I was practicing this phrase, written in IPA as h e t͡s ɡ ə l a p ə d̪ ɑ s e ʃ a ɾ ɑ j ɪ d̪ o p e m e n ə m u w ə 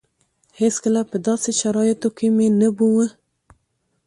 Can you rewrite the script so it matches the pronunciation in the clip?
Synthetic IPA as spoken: h e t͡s k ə l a p ə d̪ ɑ s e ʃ a ɾ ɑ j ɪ t̪ o k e m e n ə b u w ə